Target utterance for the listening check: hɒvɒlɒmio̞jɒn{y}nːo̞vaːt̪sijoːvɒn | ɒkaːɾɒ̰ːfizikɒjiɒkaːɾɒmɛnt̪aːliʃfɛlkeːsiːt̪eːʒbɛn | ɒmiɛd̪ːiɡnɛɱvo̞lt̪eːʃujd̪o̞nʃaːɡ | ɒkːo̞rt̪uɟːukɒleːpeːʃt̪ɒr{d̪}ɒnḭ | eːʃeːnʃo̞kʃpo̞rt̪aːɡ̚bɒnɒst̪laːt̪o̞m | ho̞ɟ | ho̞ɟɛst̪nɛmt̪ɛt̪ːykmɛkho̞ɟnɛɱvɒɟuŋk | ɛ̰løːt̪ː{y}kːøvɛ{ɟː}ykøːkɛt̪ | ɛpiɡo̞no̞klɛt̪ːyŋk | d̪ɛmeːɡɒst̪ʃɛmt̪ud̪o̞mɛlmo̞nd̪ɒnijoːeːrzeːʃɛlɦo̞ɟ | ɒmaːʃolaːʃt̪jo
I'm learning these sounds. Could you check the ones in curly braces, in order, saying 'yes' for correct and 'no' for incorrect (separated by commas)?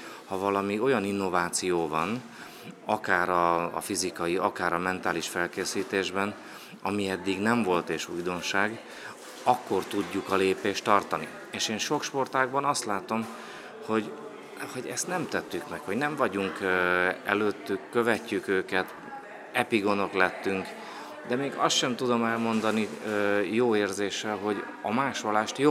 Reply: no, no, yes, no